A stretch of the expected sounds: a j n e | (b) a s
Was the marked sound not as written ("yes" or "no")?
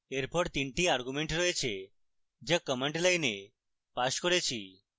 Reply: yes